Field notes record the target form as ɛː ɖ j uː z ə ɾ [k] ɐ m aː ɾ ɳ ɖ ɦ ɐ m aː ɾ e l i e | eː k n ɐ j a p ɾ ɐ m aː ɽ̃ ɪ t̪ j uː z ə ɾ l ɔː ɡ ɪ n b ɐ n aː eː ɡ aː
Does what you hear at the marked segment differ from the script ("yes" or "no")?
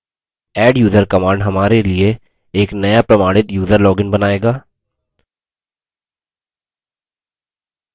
no